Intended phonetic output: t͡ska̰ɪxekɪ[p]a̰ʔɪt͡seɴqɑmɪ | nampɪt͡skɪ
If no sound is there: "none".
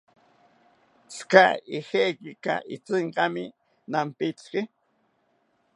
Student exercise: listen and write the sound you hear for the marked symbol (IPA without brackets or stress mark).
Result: k